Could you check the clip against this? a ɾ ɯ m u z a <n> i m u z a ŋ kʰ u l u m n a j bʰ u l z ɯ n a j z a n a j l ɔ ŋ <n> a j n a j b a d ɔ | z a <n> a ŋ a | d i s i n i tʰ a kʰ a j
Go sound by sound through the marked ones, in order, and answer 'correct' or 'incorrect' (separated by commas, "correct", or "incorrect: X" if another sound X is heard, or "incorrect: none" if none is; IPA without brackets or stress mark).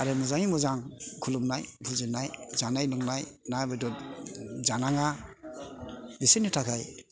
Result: incorrect: ŋ, correct, correct